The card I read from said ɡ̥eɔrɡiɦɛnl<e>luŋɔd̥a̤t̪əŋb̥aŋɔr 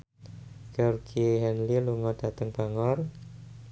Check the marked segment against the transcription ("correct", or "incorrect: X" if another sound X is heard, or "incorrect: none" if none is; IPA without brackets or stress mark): incorrect: i